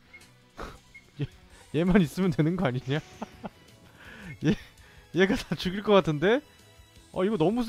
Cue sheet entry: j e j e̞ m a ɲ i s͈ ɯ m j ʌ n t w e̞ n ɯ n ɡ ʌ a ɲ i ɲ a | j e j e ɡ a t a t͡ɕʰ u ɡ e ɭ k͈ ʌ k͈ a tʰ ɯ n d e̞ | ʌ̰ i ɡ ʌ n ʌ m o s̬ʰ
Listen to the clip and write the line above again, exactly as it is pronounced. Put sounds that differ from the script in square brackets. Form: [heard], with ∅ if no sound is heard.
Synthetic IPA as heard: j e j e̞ m a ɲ i s͈ ɯ m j ʌ n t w e̞ n ɯ n ɡ ʌ a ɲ i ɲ a | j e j e ɡ a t a [t͡ɕ] u ɡ [i] ɭ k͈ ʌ k͈ a tʰ ɯ n d e̞ | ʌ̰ i ɡ ʌ n ʌ m [u] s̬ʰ